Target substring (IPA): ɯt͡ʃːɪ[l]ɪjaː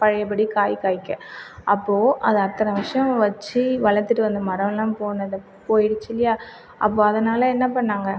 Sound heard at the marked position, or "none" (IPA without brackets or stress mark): l